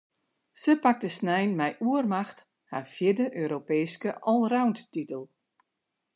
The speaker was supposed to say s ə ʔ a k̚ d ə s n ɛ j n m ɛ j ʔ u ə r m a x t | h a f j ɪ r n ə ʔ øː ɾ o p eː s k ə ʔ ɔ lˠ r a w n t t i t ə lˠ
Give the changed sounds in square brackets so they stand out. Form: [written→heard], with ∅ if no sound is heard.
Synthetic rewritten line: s ə [ʔ→p] a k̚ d ə s n ɛ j n m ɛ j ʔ u ə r m a x t | h a f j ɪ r [n→d] ə ʔ øː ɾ o p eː s k ə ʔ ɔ lˠ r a w n t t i t ə lˠ